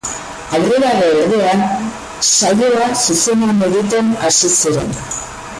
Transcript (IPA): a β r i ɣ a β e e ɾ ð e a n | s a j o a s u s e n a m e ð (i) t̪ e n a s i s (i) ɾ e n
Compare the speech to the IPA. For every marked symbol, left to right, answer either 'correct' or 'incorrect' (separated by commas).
correct, correct